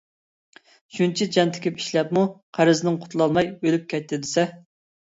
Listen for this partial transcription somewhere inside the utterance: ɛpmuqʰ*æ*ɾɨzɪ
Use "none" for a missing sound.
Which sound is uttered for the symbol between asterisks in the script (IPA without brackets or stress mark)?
æ